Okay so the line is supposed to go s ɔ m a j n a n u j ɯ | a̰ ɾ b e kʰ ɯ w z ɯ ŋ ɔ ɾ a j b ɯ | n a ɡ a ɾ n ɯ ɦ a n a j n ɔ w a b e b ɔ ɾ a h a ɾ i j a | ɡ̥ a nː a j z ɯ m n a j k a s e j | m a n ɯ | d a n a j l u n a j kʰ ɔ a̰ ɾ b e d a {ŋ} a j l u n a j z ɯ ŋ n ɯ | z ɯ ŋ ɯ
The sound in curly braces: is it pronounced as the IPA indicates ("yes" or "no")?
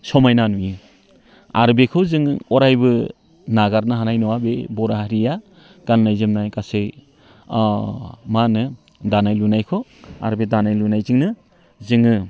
no